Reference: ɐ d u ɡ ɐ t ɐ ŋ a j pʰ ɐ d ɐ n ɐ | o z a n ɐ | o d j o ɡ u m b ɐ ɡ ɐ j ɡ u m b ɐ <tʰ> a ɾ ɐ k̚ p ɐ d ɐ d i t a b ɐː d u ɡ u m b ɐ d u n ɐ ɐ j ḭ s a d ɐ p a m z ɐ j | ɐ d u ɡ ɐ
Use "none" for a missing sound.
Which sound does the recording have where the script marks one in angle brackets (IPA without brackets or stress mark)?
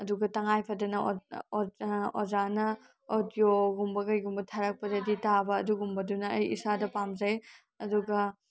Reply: tʰ